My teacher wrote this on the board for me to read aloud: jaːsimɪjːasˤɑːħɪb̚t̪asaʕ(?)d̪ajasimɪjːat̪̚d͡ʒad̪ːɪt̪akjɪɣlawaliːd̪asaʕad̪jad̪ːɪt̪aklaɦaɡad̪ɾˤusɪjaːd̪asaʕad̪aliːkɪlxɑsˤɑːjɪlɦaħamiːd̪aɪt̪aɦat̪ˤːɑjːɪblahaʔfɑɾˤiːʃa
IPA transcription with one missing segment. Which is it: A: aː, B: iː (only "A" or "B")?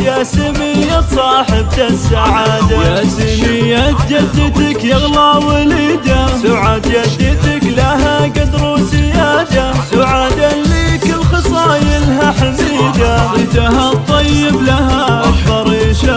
A